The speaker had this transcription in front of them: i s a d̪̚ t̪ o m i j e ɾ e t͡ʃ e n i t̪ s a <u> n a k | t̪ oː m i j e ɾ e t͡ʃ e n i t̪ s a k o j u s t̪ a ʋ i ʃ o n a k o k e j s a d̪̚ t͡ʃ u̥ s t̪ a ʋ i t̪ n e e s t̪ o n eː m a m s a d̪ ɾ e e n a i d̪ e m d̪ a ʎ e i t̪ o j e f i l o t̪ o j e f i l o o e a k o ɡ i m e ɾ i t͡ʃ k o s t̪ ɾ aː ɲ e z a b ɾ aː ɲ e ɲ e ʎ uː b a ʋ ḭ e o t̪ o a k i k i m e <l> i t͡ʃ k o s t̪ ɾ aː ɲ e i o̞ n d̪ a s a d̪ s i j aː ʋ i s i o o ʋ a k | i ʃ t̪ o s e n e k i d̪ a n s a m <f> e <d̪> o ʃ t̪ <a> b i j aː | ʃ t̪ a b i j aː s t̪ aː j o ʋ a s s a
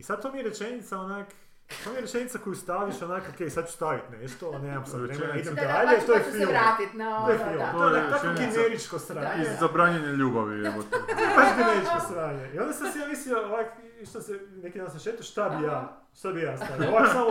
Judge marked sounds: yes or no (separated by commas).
no, no, no, no, yes